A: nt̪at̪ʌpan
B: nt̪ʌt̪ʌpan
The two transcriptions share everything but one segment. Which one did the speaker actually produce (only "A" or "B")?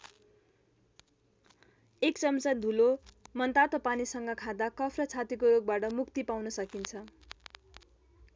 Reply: A